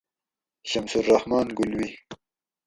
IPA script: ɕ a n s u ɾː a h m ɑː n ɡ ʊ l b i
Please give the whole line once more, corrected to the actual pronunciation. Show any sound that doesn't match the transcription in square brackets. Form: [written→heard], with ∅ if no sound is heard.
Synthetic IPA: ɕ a [n→m] s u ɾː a h m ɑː n ɡ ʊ l [b→w] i